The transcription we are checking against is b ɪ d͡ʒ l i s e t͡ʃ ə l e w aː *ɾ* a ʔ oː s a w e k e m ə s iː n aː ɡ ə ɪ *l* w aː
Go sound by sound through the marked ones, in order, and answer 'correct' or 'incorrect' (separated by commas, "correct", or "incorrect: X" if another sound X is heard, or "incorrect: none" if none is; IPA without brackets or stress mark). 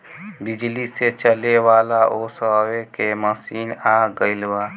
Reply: incorrect: l, correct